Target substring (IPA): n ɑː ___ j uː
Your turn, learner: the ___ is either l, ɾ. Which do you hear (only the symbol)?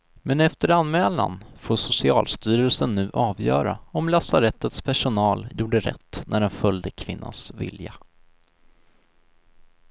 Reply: l